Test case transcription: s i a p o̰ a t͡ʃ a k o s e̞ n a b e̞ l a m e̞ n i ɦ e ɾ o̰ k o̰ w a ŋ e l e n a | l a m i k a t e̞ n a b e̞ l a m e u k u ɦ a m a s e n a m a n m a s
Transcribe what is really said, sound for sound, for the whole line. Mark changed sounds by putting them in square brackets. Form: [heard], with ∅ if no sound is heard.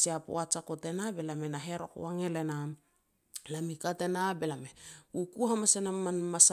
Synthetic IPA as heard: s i a p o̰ a t͡ʃ a k o [t] e̞ n a b e̞ l a m e̞ n [a] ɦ e ɾ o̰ k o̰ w a ŋ e l e n a | l a m i k a t e̞ n a b e̞ l a m e u k u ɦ a m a s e n a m a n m a s